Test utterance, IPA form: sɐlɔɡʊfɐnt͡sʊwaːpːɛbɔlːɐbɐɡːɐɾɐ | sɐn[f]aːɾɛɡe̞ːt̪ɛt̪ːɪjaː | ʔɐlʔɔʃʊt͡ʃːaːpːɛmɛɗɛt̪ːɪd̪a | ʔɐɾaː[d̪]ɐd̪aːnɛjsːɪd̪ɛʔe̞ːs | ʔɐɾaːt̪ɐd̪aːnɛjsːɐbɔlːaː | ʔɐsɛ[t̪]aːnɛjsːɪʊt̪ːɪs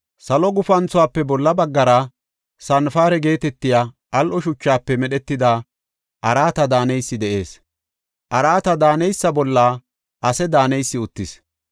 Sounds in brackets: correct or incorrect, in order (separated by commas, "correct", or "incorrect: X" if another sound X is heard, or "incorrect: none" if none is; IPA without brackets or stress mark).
correct, incorrect: t̪, incorrect: d̪